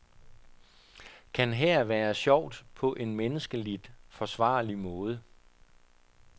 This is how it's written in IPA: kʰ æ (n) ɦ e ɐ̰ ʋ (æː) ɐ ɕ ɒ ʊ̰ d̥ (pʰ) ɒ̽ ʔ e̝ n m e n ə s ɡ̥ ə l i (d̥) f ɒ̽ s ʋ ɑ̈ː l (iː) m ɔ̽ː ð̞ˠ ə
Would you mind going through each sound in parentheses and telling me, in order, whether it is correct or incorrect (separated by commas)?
correct, correct, correct, correct, incorrect